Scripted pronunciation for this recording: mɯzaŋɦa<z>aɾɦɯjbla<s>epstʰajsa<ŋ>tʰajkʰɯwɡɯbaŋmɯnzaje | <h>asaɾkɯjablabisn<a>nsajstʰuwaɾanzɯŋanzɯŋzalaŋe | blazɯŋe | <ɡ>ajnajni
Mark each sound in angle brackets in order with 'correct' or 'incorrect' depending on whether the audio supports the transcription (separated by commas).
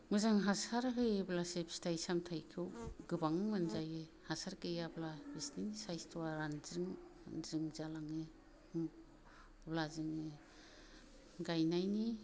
incorrect, correct, incorrect, correct, incorrect, correct